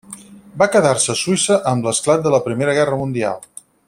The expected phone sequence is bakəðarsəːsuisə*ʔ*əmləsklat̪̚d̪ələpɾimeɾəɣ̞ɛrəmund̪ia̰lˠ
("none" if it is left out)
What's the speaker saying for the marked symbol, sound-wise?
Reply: ʔ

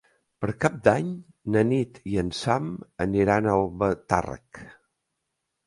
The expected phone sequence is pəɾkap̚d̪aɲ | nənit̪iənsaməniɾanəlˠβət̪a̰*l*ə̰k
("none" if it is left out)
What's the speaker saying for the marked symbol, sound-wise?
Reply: r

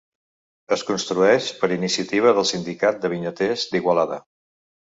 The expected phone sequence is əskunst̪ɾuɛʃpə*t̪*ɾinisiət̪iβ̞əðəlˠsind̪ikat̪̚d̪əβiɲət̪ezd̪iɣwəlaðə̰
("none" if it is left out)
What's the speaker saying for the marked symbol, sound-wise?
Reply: none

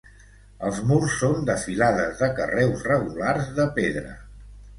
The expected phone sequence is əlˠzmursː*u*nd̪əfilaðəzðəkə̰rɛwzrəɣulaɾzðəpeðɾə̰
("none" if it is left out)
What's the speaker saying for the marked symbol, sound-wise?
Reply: o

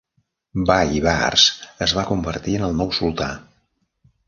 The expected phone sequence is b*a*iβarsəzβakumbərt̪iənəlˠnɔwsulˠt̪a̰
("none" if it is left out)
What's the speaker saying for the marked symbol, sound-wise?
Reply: a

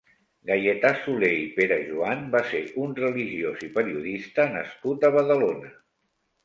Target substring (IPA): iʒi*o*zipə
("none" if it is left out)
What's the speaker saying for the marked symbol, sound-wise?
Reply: o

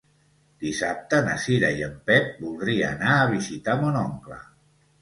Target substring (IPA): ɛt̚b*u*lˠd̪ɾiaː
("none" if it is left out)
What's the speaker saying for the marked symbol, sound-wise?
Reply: u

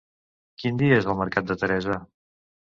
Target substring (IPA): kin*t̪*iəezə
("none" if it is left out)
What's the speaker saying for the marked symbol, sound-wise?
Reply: d̪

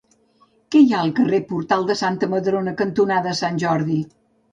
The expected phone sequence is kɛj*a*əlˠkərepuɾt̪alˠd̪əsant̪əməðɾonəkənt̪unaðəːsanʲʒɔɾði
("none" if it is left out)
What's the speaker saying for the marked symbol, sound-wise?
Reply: a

